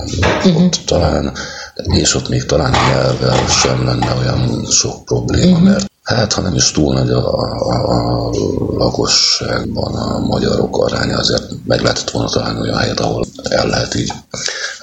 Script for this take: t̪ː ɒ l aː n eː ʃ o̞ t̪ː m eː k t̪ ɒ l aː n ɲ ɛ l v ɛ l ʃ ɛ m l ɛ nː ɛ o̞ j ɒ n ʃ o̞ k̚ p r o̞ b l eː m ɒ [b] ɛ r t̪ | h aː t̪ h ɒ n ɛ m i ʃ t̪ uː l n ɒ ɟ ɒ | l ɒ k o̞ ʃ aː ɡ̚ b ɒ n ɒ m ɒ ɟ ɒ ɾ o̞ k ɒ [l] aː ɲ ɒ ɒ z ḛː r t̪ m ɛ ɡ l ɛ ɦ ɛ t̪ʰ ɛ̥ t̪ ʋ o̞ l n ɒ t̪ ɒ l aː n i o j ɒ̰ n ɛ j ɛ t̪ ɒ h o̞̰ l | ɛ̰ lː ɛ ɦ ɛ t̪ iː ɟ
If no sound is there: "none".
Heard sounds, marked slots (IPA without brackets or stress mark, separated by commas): m, ɾ